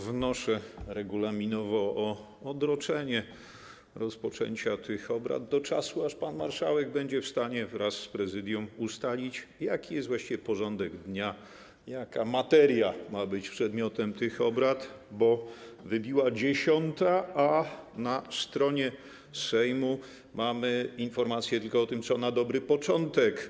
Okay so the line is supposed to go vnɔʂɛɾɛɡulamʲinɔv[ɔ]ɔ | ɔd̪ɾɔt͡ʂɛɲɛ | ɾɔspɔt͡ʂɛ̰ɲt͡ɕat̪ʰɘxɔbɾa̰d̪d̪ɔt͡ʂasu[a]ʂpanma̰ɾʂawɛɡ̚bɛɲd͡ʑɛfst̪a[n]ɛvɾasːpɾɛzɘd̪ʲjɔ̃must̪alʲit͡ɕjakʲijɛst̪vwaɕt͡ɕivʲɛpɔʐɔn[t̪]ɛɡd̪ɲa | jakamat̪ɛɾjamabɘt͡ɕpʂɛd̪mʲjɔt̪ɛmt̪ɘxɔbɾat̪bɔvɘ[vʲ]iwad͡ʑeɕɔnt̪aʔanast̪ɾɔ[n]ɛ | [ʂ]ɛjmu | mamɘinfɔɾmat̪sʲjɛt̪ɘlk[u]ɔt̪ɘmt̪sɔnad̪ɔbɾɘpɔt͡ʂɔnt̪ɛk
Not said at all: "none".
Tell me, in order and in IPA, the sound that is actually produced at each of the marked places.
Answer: ɔ, a, ɲ, d̪, bʲ, ɲ, s, ɔ

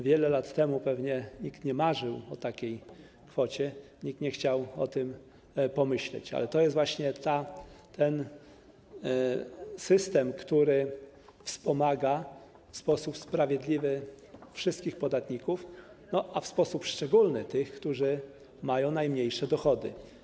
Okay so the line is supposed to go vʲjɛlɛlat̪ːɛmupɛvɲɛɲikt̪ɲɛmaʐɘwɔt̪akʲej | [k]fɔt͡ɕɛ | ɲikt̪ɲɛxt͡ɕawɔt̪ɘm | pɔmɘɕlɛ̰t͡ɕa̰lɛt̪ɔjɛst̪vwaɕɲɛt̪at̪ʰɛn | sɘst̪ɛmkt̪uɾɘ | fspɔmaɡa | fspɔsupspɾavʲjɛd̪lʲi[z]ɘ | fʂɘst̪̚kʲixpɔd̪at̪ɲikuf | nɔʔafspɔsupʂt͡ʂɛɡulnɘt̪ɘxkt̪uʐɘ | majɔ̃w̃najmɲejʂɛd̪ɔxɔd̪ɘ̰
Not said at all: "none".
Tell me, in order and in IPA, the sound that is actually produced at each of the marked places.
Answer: k, v

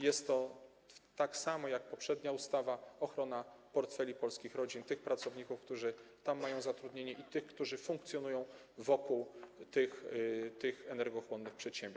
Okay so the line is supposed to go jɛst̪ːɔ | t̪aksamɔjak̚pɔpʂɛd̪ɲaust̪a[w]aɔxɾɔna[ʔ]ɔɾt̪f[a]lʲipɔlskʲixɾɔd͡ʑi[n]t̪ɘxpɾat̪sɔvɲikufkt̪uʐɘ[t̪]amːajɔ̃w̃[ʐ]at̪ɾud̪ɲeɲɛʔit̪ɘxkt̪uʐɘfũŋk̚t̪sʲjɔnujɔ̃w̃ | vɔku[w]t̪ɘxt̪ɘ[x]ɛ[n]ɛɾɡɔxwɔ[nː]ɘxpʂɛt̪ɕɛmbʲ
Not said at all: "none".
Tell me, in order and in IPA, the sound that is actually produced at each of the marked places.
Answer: v, p, ɛ, n, t̪, z, w, x, n, nː

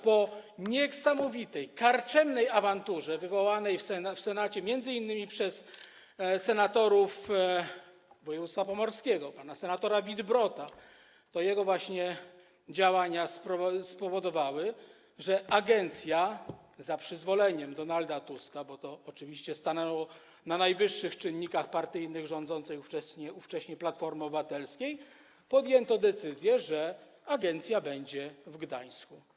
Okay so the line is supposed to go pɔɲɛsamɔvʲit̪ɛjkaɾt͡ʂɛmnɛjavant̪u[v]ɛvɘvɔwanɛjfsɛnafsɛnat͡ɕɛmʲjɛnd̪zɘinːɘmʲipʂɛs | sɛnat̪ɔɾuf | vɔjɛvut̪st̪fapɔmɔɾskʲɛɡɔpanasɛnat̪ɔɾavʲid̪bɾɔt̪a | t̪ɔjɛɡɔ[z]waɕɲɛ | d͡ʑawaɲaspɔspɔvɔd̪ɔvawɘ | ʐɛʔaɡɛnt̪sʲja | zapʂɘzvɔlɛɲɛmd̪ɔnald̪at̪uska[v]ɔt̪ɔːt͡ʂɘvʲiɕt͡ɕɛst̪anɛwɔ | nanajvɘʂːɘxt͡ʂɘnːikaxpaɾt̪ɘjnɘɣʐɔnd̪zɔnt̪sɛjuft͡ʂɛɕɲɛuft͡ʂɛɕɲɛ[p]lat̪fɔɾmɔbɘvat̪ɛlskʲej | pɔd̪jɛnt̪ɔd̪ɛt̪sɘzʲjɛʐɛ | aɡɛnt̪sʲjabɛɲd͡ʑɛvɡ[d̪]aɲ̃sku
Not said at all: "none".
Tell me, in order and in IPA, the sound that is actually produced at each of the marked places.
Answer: ʐ, v, b, p, d̪

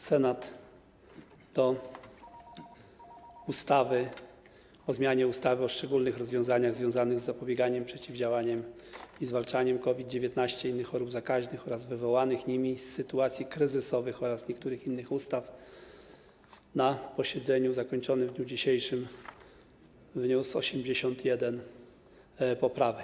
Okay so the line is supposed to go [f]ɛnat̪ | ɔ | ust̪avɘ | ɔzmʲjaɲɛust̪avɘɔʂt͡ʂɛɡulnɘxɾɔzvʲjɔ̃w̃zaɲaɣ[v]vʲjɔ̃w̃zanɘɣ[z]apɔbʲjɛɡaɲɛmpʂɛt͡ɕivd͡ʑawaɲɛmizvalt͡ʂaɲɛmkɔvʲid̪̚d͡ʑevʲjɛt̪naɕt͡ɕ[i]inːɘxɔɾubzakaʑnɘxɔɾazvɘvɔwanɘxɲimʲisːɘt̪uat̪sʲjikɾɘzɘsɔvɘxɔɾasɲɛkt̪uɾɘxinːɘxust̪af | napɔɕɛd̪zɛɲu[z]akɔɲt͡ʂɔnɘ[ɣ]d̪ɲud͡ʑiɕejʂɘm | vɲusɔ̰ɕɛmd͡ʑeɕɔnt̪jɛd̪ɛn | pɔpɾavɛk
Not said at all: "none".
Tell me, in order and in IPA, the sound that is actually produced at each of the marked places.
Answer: s, z, zː, ɛ, z, v

